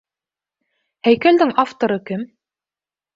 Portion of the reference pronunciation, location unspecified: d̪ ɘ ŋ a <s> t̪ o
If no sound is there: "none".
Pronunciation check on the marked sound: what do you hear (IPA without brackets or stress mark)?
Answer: f